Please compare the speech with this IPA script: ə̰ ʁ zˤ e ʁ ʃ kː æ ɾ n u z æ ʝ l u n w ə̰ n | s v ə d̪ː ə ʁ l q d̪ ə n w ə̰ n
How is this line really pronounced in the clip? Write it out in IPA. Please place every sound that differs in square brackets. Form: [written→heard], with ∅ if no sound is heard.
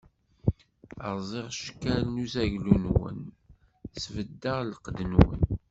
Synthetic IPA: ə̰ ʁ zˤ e ʁ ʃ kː æ [ɾ→l] n u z æ ʝ l u n w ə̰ n | s v ə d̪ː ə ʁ l q d̪ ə n w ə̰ n